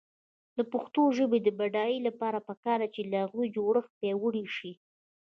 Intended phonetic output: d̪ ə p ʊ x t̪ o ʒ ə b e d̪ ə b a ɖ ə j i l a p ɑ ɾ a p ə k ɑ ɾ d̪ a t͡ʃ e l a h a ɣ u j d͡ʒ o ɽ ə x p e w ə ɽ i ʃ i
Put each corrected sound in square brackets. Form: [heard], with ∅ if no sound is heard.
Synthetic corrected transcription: d̪ ə p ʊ x t̪ o ʒ ə b e d̪ ə b a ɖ [ɑ] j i l a p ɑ ɾ a p ə k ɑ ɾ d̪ a t͡ʃ e l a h a ɣ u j d͡ʒ o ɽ ə x p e w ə ɽ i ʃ i